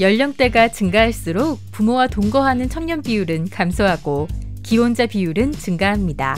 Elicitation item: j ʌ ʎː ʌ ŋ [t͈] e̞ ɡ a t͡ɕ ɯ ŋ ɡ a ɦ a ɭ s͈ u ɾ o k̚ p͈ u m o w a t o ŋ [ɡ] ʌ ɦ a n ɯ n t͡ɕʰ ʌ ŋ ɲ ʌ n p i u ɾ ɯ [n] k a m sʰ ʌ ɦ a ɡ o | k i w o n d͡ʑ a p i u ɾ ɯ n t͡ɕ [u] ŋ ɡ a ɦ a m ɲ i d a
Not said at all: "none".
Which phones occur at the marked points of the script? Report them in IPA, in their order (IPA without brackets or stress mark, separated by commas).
t͈, ɡ, n, ɯ